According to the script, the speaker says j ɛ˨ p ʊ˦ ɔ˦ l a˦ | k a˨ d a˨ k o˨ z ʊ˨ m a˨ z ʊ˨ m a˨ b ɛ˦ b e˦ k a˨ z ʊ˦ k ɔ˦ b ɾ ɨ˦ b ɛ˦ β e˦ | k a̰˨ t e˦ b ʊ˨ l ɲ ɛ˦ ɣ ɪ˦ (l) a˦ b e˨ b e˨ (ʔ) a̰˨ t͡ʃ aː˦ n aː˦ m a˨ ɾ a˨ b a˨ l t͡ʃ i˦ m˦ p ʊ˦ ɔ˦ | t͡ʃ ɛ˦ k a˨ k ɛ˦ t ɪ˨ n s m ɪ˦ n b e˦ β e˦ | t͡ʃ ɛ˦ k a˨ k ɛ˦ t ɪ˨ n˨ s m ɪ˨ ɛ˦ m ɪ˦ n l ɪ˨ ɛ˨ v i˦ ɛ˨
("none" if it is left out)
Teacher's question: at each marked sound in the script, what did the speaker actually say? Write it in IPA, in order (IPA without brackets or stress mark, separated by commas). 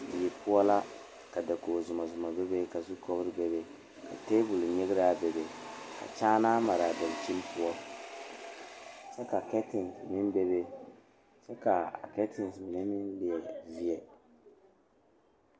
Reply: ɾ, k